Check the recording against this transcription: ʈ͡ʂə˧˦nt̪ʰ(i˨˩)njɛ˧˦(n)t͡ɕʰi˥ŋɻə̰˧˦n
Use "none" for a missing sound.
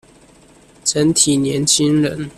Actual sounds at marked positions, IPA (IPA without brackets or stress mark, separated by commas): i˨˩, n